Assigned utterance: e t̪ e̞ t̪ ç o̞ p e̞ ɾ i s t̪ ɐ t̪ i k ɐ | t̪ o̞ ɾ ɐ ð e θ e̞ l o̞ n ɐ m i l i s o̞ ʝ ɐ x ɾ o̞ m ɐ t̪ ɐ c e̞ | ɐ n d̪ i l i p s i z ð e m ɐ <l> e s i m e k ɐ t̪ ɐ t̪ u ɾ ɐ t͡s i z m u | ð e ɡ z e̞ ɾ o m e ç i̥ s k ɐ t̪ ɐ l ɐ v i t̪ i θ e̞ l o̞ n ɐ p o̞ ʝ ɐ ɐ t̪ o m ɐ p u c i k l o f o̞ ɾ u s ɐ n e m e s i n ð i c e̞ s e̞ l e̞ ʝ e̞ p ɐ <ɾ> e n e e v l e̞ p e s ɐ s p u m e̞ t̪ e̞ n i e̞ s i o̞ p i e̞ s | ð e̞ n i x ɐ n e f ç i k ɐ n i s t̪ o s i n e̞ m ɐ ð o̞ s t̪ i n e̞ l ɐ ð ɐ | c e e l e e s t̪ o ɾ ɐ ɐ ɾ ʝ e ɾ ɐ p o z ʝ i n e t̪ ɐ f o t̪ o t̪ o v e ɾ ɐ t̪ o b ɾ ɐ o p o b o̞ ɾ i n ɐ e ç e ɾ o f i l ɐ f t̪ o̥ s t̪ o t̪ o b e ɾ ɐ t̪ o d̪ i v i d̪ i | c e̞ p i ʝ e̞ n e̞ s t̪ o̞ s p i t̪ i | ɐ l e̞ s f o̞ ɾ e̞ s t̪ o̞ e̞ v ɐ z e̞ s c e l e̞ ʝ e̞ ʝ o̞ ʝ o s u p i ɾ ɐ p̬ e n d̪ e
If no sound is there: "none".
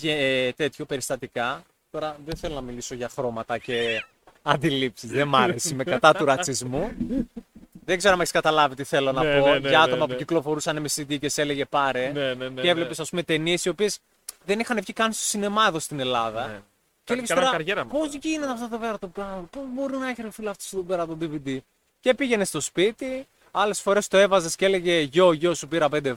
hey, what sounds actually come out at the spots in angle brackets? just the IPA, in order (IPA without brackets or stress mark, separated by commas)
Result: ɾ, ɾ